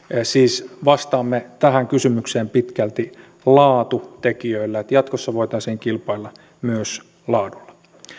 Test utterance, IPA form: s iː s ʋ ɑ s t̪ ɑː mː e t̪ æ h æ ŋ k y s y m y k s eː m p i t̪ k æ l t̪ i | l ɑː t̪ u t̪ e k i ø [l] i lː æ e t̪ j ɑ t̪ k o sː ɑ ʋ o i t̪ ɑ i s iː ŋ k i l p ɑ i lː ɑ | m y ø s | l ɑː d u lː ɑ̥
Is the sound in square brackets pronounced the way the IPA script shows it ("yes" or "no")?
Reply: no